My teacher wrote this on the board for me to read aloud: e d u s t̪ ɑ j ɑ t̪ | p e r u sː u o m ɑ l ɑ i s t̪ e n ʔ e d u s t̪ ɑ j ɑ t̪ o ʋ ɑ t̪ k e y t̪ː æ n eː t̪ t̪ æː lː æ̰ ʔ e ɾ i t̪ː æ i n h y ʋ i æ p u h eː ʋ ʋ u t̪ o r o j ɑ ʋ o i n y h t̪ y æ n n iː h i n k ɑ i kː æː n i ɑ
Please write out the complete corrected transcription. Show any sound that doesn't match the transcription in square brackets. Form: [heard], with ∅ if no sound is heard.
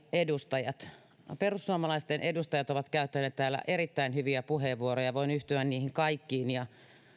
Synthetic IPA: e d u s t̪ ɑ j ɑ t̪ | p e r u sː u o m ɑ l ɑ i s t̪ e n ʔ e d u s t̪ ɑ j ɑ t̪ o ʋ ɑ t̪ k [æ] y t̪ː æ n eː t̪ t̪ æː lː æ̰ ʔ e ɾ i t̪ː æ i n h y ʋ i æ p u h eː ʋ ʋ u [∅] o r o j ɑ ʋ o i n y h t̪ y æ n n iː h i [ŋ] k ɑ i kː [iː] n [j] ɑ